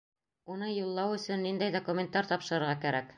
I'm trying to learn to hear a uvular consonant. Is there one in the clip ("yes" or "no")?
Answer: yes